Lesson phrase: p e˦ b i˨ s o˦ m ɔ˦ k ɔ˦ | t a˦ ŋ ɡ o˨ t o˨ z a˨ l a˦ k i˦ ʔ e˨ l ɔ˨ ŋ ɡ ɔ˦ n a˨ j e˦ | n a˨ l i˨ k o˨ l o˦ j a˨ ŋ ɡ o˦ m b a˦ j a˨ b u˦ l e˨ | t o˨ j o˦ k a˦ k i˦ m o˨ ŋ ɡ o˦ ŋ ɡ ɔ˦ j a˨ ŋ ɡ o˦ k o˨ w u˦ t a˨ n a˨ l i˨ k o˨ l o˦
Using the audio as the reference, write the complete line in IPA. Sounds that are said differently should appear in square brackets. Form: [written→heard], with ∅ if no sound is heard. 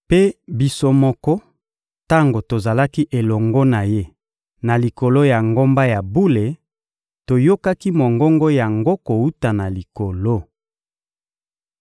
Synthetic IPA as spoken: p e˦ b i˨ s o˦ m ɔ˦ k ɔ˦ | t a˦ ŋ ɡ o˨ t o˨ z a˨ l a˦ k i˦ ʔ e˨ l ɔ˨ ŋ ɡ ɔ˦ n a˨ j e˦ | n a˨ l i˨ k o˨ l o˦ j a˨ ŋ ɡ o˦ m b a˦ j a˨ b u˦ l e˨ | t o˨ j o˦ k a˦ k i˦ m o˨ ŋ ɡ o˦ ŋ ɡ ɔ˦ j a˨ ŋ ɡ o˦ k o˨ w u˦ t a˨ n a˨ l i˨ k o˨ l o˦

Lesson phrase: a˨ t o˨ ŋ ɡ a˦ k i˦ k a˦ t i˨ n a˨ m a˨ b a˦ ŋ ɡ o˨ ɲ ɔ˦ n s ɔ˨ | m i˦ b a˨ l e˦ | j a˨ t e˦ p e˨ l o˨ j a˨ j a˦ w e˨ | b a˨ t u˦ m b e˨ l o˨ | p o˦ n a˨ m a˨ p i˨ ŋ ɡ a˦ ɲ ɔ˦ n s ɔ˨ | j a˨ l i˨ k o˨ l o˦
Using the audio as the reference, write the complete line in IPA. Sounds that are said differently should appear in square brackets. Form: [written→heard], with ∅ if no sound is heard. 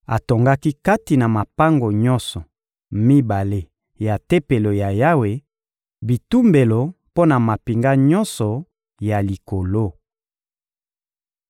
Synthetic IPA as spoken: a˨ t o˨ ŋ ɡ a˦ k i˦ k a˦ t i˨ n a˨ m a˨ [b→p] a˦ ŋ ɡ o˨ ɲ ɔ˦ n s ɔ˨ | m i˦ b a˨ l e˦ | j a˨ t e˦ p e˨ l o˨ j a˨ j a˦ w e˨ | b [a˨→i˨] t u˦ m b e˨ l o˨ | p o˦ n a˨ m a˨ p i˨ ŋ ɡ a˦ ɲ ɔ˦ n s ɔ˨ | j a˨ l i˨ k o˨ l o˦

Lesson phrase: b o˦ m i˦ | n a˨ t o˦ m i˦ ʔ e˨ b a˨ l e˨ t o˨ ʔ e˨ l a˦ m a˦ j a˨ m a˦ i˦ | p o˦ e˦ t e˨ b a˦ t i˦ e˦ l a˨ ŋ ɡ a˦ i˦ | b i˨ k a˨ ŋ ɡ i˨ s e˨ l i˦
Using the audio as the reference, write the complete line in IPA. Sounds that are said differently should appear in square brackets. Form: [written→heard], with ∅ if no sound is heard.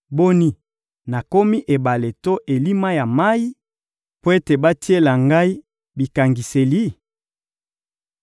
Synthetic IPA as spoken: b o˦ [m→n] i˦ | n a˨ [t→k] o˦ m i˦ ʔ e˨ b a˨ l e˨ t [o˨→o˦] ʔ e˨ l [a˦→i˦] m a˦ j a˨ m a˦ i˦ | p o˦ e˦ t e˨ b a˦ t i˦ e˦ l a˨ ŋ ɡ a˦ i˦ | b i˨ k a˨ ŋ ɡ i˨ s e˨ l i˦

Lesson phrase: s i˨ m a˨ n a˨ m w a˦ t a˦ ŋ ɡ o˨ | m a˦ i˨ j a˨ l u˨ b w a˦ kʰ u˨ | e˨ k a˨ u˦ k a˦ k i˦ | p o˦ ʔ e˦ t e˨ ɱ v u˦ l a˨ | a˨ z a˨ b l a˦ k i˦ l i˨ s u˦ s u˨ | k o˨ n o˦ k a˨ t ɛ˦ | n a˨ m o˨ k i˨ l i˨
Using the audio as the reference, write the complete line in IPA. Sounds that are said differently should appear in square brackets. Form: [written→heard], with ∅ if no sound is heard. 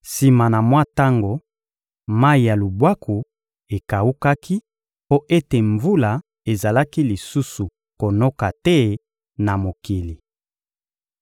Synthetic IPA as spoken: s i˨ m a˨ n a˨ m w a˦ t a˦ ŋ ɡ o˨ | m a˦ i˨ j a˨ l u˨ b w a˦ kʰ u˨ | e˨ k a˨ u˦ k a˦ k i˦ | p o˦ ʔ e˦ t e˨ ɱ v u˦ l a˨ | [a˨→e˨] z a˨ [b→∅] l a˦ k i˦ l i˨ s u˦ s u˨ | k o˨ n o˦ k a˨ t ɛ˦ | n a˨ m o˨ k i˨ l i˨

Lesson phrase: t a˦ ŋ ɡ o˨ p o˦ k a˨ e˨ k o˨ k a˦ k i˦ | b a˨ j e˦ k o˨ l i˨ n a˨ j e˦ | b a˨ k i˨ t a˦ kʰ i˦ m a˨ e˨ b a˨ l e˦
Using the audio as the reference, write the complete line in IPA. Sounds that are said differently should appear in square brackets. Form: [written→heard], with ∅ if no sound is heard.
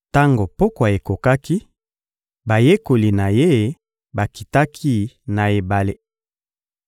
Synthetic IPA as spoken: t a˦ ŋ ɡ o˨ p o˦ k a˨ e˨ k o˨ k a˦ k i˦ | b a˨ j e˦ k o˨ l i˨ n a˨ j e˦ | b a˨ k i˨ t a˦ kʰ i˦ [m→n] a˨ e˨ b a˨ l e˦

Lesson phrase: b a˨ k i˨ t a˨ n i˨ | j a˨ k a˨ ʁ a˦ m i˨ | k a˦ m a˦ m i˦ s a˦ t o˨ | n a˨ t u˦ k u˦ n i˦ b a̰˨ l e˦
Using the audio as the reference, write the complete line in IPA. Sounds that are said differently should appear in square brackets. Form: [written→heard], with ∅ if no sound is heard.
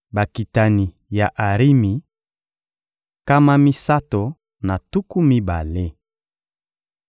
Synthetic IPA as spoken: b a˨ k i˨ t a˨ n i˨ | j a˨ [k→ʔ] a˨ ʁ [a˦→i˦] m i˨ | k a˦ m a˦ m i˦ s a˦ t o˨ | n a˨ t u˦ k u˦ [n→m] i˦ b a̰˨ l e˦

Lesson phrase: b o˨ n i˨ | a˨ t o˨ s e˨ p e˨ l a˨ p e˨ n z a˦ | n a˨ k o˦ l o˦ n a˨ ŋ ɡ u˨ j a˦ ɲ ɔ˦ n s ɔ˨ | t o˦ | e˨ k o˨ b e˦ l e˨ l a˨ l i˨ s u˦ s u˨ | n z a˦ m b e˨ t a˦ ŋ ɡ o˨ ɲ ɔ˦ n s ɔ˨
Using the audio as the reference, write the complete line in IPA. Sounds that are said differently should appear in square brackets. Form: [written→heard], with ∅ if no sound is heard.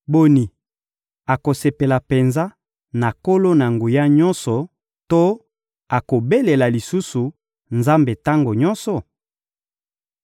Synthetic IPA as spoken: b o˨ n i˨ | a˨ [t→k] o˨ s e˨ p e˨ l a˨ p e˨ n z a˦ | n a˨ k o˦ l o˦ n a˨ ŋ ɡ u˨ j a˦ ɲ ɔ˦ n s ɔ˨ | t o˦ | [e˨→a˨] k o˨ b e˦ l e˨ l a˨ l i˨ s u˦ s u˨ | n z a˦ m b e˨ t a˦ ŋ ɡ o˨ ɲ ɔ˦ n s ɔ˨

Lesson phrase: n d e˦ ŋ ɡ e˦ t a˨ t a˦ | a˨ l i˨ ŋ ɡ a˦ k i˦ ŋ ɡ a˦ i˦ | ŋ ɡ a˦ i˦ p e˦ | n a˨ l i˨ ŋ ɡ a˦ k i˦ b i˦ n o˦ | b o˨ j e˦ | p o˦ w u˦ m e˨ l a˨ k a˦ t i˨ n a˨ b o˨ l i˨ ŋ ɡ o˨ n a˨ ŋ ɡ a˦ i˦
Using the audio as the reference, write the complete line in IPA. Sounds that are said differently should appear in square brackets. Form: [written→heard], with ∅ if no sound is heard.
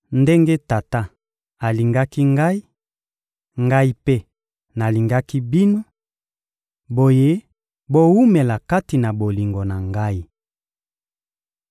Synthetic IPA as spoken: n d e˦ ŋ ɡ e˦ t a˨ t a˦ | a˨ l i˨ ŋ ɡ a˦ k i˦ ŋ ɡ a˦ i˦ | ŋ ɡ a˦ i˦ p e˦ | n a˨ l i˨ ŋ ɡ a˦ k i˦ b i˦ n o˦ | b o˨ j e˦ | [p→b] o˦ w u˦ m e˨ l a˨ k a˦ t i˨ n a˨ b o˨ l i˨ ŋ ɡ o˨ n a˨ ŋ ɡ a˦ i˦

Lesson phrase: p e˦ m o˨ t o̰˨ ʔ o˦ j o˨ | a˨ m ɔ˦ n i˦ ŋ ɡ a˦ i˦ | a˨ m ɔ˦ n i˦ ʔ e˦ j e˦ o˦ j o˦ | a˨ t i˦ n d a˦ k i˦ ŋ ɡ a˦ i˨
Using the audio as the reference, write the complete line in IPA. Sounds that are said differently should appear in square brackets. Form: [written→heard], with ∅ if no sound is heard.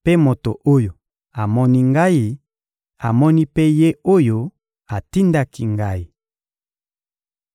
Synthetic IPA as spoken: p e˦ m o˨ t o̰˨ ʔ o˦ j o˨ | a˨ m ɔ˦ n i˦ ŋ ɡ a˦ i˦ | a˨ m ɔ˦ n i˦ [ʔ→p] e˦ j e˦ o˦ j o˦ | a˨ t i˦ n d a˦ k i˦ ŋ ɡ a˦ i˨

